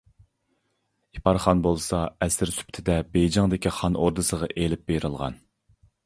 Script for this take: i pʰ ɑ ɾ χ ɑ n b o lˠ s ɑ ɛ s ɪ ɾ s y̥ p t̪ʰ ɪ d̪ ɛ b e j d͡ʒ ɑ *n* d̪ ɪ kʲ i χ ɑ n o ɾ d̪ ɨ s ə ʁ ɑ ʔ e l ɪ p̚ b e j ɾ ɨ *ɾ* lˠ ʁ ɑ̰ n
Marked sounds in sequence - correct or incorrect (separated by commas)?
incorrect, incorrect